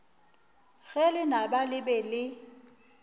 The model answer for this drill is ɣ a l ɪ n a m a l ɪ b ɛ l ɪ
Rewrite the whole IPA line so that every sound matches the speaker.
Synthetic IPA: ɣ ɛ l ɪ n a b a l ɪ b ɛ l ɪ

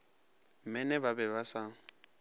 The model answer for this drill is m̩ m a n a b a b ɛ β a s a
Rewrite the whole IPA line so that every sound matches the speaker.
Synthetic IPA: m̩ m ɛ n ɛ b a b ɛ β a s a

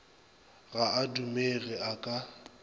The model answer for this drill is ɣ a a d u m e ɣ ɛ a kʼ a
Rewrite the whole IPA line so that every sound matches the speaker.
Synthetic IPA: ɣ a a d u m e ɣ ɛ a kʼ a

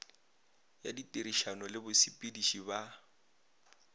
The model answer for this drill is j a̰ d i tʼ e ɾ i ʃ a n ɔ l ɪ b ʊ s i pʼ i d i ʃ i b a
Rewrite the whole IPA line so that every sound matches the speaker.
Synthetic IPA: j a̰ d i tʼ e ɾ i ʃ a n ɔ l ɪ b ʊ s i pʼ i d i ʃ i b a

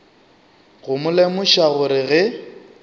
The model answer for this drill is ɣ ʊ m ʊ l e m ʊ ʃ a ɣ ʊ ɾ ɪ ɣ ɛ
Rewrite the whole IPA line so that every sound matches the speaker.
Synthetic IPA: ɣ ʊ m ʊ l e m ʊ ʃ a ɣ ʊ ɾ ɪ ɣ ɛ

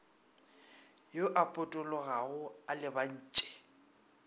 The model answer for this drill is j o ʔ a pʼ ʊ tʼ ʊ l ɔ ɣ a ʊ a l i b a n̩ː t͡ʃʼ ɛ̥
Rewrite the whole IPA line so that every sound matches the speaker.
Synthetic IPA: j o ʔ a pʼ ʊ tʼ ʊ l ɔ ɣ a ʊ a l ɪ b a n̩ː t͡ʃʼ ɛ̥

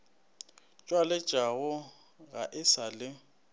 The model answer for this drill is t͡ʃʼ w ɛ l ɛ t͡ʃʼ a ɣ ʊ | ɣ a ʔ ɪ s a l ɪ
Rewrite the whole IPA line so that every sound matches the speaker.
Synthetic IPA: t͡ʃʼ w a l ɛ t͡ʃʼ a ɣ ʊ | ɣ a ʔ ɪ s a l ɪ

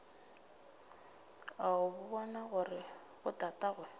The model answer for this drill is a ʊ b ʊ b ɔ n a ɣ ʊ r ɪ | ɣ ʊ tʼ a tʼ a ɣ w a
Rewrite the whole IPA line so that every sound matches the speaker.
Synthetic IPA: a ʊ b ʊ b ɔ n a ɣ ʊ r ɪ | ɣ ʊ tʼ a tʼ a ɣ w ɛ

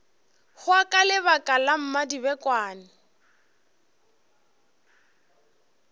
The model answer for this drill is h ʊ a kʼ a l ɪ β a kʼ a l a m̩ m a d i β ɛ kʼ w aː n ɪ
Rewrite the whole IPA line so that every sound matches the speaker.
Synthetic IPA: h ʊ a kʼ a l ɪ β a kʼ a l a m̩ m a d i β ɛ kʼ w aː n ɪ

